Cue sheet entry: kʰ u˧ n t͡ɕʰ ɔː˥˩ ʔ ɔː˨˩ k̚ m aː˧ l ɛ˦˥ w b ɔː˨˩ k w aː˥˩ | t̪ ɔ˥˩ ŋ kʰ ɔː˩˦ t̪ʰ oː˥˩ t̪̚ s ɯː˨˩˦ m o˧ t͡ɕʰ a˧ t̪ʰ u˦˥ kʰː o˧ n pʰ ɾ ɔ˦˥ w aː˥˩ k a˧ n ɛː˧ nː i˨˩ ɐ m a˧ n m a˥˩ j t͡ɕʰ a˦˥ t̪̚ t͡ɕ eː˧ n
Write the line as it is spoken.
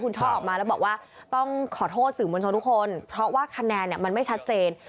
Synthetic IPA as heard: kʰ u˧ n t͡ɕʰ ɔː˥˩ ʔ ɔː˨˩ k̚ m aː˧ l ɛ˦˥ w b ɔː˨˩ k w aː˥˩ | t̪ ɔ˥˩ ŋ kʰ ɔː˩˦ t̪ʰ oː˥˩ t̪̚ s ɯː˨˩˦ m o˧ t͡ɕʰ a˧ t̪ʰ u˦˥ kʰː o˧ n pʰ ɾ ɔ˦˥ w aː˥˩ kʰ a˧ n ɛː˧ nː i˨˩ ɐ m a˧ n m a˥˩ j t͡ɕʰ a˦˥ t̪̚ t͡ɕ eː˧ n